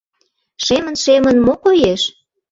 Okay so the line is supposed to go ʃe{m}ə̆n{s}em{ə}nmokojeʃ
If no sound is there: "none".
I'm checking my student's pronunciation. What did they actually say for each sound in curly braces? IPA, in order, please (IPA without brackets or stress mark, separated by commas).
m, ʃ, ə